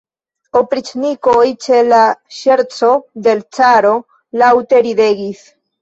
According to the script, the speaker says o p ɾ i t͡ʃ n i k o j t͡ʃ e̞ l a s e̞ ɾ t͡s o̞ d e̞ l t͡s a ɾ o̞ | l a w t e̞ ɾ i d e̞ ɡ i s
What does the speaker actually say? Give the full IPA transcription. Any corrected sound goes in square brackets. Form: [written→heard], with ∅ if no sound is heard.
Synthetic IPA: o p ɾ i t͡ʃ n i k o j t͡ʃ e̞ l a [s→ʃ] e̞ ɾ t͡s o̞ d e̞ l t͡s a ɾ o̞ | l a w t e̞ ɾ i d e̞ ɡ i s